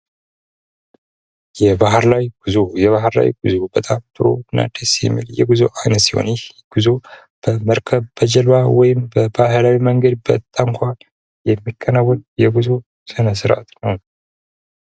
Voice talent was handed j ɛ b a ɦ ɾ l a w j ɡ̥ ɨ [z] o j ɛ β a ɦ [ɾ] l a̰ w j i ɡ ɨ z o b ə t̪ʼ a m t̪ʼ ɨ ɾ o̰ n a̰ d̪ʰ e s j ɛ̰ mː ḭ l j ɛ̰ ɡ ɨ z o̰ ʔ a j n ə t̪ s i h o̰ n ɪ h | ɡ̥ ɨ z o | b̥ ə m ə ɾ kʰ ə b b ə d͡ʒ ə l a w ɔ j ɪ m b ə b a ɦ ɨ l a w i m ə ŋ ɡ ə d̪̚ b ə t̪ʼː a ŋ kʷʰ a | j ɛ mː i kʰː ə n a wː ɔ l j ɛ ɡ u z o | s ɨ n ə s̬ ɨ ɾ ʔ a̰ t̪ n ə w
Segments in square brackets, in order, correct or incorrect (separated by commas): correct, correct